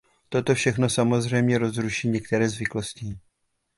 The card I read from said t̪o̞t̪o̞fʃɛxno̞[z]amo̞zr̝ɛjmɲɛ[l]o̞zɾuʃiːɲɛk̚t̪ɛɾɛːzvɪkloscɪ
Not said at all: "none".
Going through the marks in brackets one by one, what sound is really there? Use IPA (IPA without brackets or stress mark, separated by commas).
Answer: s, ɾ